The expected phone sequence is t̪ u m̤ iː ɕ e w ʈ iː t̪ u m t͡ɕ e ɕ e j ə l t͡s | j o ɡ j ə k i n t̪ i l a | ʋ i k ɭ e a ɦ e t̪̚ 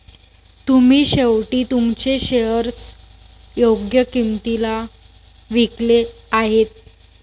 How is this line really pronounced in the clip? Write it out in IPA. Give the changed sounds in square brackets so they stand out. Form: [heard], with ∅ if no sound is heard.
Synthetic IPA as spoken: t̪ u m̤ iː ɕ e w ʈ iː t̪ u m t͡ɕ e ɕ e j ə [ɾ] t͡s | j o ɡ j ə k i [m] t̪ i l a | ʋ i k [l] e a ɦ e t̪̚